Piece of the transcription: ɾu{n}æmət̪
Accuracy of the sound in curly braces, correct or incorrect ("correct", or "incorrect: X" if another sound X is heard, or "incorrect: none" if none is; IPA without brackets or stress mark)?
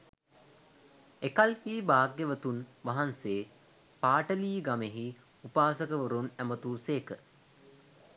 correct